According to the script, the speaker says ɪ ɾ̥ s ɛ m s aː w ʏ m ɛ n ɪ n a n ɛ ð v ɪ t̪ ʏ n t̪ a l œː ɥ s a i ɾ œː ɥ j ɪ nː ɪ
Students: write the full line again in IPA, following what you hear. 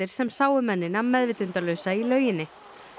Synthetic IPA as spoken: ɪ ɾ̥ s ɛ m s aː w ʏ m ɛ nː ɪ n a m ɛ ð v ɪ t̪ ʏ n t̪ a l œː ɥ s a i l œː ɥ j ɪ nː ɪ